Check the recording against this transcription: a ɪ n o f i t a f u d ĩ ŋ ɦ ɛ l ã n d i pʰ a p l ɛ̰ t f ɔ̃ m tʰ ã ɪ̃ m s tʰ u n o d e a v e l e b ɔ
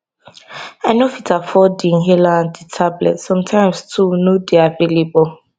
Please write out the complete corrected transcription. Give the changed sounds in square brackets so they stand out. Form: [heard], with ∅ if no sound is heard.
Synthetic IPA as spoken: a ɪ n o f i t a f [ɔ] d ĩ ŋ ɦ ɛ l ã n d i [tʰ] a [b] l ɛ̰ t [s] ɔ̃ m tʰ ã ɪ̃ m s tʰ u n o d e a v e l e b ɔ